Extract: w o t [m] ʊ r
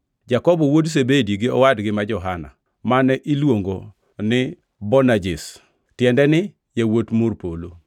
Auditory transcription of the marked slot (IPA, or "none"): m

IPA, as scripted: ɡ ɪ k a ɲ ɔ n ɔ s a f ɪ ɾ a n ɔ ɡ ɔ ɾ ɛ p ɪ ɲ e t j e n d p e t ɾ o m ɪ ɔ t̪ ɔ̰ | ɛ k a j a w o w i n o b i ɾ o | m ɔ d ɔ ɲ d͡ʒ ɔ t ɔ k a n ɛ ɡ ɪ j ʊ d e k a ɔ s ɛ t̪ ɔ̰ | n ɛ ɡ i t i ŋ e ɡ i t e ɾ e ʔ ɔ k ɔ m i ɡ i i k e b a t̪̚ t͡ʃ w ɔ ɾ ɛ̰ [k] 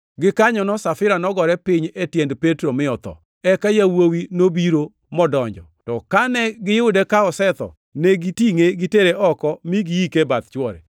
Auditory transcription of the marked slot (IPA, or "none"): none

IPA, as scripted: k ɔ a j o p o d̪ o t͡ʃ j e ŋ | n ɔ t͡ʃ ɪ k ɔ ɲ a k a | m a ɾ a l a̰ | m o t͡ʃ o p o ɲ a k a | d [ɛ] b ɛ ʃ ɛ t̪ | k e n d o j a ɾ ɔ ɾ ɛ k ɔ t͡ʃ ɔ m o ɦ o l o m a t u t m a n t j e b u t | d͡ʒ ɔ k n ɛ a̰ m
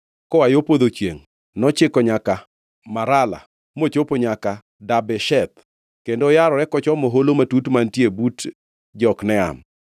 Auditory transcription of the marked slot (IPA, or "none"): a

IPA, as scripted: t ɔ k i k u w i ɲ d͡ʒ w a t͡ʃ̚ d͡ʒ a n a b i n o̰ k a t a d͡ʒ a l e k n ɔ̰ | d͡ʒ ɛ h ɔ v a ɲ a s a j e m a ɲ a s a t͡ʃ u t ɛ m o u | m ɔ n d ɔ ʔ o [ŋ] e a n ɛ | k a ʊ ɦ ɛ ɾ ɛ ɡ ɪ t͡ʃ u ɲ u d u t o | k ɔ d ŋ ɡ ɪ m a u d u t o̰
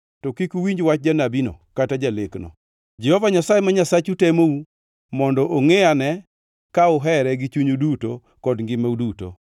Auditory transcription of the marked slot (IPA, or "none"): ŋ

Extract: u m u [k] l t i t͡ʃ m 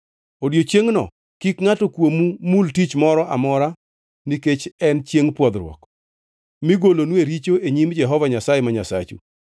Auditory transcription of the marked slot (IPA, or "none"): none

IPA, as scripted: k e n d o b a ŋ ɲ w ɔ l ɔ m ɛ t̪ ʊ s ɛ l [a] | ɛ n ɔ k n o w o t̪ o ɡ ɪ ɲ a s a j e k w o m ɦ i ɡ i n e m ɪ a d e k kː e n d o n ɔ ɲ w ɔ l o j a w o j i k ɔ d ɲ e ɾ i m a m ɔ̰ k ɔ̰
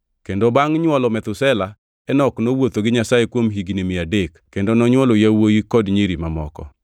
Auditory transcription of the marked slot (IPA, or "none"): a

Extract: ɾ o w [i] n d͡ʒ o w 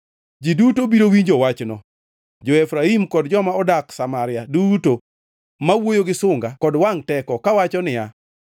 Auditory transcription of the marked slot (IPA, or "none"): i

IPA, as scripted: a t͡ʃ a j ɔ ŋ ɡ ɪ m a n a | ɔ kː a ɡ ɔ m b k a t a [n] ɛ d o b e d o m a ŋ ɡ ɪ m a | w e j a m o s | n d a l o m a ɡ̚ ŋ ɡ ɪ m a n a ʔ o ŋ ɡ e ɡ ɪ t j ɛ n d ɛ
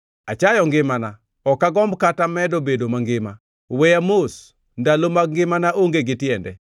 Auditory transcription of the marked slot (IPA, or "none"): m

